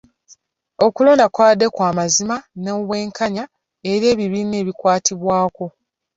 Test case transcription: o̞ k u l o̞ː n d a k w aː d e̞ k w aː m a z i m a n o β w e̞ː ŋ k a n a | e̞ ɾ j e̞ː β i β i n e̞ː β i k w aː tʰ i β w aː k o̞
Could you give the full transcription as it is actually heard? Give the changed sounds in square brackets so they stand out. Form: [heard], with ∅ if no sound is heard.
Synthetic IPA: o̞ k u l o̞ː n d a k w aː d e̞ k w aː m a z i m a n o β w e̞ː ŋ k a [ɲ] a | e̞ ɾ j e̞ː β i β i n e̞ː β i k w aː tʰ i β w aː k o̞